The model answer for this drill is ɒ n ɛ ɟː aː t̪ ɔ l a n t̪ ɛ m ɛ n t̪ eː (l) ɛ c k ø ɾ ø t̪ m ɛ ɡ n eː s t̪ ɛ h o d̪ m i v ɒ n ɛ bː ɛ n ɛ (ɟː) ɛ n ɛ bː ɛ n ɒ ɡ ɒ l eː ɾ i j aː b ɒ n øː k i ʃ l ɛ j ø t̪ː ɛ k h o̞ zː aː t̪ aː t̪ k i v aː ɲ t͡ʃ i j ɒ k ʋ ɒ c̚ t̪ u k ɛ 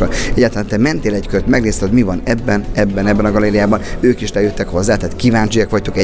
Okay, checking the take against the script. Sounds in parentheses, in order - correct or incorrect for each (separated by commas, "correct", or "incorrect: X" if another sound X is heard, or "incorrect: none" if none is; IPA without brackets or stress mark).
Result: correct, incorrect: bː